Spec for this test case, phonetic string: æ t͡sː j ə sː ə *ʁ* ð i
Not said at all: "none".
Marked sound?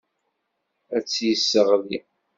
ʁ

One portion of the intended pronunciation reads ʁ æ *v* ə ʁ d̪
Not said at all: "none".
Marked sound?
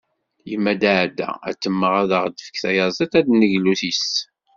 ð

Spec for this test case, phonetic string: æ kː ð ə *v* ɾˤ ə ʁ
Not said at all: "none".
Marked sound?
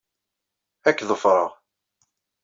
f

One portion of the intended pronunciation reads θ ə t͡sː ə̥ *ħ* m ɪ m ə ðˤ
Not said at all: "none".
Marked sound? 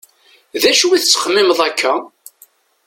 χ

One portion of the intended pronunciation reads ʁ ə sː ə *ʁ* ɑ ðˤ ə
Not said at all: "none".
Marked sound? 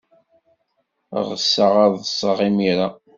ʁ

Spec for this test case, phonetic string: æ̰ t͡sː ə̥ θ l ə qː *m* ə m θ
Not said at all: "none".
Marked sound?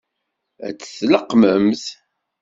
m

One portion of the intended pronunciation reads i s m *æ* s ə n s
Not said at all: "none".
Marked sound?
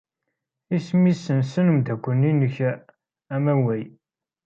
i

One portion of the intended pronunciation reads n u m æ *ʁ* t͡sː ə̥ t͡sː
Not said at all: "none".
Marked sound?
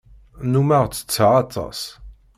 ʁ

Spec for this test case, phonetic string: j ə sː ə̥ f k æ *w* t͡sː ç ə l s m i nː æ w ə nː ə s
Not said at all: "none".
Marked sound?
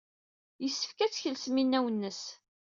none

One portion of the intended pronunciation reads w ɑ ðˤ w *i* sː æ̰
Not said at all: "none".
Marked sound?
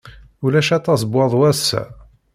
æ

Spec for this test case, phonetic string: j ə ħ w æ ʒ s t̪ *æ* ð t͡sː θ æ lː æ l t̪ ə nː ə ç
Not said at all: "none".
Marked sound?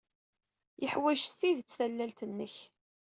i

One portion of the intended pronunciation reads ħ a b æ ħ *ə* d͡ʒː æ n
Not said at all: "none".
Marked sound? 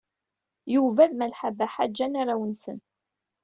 a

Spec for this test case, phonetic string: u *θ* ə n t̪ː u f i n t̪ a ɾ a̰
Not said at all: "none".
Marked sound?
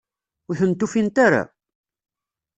θ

